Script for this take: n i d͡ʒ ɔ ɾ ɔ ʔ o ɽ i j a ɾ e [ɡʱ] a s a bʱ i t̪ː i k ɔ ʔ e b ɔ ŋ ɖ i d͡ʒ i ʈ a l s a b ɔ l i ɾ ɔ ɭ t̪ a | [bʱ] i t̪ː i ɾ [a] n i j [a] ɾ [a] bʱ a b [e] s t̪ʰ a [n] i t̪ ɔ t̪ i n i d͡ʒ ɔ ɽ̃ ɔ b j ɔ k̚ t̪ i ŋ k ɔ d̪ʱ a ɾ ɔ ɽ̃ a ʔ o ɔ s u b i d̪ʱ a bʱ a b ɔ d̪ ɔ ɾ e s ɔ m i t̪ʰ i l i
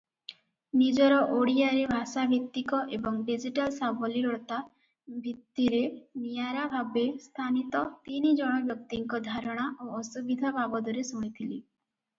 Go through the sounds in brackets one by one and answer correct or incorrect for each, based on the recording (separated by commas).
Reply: incorrect, correct, incorrect, correct, correct, correct, correct